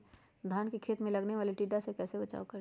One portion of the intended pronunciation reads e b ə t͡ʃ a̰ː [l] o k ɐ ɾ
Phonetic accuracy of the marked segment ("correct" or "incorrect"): incorrect